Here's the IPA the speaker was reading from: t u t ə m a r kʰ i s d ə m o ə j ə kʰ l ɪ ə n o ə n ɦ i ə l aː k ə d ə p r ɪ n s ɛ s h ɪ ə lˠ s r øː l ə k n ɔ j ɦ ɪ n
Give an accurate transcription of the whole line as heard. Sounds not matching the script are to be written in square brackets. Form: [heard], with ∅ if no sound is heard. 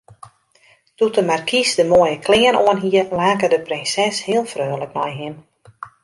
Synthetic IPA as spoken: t u t ə m a r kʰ i s d ə m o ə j ə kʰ l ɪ ə n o ə n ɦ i ə l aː k ə d ə p r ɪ n s ɛ s h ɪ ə lˠ [f] r øː l ə k n ɔ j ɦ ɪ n